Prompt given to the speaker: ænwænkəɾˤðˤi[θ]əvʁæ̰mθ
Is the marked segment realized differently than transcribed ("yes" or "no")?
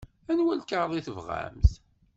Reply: no